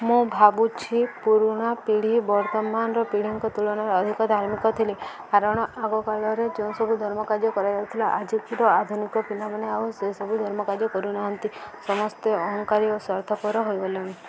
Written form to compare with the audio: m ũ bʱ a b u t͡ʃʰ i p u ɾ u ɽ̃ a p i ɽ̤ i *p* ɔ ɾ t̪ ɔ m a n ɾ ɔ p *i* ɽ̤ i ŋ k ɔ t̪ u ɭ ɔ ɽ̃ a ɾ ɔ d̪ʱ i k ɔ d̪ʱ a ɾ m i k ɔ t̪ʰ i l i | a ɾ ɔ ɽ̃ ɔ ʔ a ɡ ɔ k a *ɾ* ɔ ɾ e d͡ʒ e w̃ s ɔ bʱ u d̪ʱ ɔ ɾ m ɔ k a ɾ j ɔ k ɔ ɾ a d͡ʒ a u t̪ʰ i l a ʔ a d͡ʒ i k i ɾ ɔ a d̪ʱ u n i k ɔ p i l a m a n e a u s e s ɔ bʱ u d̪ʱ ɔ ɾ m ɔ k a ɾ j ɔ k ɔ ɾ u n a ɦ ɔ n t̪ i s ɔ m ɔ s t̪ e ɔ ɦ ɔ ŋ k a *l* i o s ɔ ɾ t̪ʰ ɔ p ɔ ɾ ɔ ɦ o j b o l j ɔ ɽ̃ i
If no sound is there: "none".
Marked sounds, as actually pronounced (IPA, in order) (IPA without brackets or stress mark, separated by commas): b, i, ɭ, ɾ